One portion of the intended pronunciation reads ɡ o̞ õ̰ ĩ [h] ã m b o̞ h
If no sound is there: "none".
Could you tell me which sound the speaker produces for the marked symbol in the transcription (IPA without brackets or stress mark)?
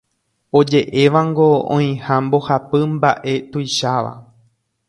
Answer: h